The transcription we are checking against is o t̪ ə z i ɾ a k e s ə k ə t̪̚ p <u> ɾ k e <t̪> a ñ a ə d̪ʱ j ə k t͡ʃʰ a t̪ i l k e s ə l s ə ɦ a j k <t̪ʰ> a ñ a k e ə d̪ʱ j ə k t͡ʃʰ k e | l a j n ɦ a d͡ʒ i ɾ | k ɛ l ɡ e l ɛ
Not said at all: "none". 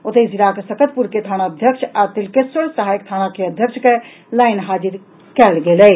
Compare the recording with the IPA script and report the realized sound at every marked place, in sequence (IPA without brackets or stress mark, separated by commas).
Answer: u, t̪ʰ, t̪ʰ